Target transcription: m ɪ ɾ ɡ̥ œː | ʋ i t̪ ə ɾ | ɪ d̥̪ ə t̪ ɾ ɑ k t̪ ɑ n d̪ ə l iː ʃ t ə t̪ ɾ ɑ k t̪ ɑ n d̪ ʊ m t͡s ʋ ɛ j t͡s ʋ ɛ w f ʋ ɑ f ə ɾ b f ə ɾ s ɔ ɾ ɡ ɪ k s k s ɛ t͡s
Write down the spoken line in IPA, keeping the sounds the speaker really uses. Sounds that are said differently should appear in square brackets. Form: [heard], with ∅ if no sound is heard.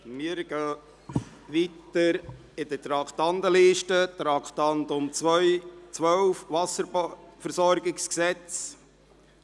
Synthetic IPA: m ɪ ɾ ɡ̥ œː | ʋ i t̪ ə ɾ | ɪ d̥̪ ə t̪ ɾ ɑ k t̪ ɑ n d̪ ə l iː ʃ t ə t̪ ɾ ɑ k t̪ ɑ n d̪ ʊ m t͡s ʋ [œ] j t͡s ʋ [œ] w f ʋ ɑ [s] ə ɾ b f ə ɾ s ɔ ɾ ɡ ɪ k s k s ɛ t͡s